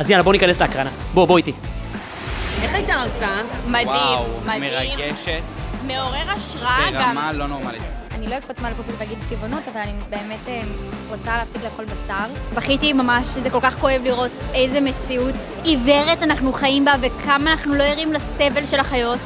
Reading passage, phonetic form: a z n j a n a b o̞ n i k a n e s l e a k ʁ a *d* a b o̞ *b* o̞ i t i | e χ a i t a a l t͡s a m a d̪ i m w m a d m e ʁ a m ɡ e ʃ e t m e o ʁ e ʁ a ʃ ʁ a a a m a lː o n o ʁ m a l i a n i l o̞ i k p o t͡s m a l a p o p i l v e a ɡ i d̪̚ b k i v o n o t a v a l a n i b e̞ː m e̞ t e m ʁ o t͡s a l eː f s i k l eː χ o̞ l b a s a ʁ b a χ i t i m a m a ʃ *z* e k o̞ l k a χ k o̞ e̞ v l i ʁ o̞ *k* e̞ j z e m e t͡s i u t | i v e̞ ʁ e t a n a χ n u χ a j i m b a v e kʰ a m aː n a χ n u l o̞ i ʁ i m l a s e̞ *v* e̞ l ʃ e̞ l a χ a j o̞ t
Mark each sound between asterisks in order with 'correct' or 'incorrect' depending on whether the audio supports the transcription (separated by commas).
incorrect, correct, correct, incorrect, correct